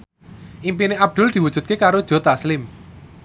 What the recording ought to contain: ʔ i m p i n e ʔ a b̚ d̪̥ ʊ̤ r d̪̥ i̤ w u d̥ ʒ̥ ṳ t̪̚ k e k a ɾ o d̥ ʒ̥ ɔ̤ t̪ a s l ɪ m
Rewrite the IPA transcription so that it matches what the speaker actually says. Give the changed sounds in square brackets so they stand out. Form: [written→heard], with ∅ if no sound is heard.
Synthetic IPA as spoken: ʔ i m p i n e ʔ a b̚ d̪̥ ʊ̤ [r→l] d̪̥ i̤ w u d̥ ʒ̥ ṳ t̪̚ k e k a ɾ o d̥ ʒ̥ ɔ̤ t̪ a s l ɪ m